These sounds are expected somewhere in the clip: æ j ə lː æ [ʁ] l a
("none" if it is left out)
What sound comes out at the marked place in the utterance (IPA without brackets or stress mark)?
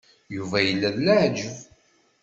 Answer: ð